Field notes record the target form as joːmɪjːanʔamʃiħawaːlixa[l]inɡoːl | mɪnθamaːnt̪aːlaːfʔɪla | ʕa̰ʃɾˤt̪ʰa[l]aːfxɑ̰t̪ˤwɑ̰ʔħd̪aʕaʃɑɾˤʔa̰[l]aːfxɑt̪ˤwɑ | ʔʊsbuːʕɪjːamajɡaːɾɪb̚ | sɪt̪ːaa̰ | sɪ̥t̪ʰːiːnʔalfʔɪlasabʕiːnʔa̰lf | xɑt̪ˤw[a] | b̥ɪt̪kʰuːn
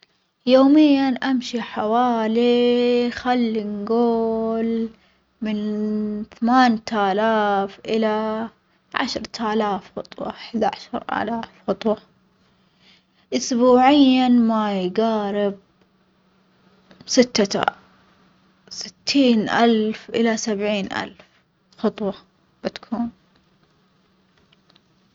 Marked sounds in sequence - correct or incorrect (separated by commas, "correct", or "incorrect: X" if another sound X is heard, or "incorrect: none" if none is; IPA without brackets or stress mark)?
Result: incorrect: lː, correct, correct, incorrect: ɑ